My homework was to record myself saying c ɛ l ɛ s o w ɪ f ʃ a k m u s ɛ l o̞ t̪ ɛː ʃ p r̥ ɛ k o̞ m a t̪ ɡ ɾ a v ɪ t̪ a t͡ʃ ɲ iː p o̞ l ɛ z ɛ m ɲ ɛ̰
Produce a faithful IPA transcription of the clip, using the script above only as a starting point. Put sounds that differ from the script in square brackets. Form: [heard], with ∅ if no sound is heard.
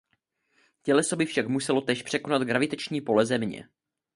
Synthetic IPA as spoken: c ɛ l ɛ s o [b] ɪ f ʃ a k m u s ɛ l o̞ t̪ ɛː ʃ p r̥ ɛ k o̞ [n] a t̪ ɡ ɾ a v ɪ t̪ [ɛ] t͡ʃ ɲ iː p o̞ l ɛ z ɛ m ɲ ɛ̰